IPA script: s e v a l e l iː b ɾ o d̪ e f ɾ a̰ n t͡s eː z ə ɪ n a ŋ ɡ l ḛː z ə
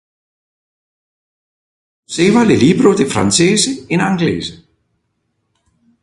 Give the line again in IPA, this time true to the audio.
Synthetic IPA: s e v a l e l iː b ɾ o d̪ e f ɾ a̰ n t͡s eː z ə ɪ n a ŋ ɡ l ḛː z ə